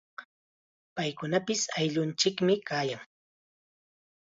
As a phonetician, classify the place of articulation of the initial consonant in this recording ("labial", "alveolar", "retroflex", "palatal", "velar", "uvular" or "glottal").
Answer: labial